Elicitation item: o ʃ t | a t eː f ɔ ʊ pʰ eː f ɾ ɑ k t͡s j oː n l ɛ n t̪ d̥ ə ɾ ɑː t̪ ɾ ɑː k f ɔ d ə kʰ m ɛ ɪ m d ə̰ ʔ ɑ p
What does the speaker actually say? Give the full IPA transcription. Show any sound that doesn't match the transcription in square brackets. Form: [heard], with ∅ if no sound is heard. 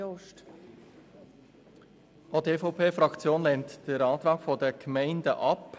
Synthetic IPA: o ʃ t | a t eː f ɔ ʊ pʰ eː f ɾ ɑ k t͡s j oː n l ɛ n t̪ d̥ ə ɾ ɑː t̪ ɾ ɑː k f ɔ d ə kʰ m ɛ ɪ [n] d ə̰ ʔ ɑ p